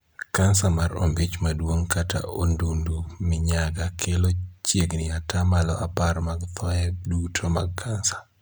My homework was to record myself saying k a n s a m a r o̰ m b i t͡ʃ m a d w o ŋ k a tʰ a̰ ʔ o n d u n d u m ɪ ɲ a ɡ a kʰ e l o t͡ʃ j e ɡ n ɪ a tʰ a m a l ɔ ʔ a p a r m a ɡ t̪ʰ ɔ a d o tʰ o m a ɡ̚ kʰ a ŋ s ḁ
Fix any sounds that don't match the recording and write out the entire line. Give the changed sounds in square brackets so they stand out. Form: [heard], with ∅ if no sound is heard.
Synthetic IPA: k a n s a m a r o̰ m b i t͡ʃ m a d w o ŋ k a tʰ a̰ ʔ o n d u n d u m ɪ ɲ a ɡ a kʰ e l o t͡ʃ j e ɡ n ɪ a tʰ a m a l ɔ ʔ a p a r m a ɡ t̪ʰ ɔ [ɛ] d [u] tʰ o m a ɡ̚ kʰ a [n] s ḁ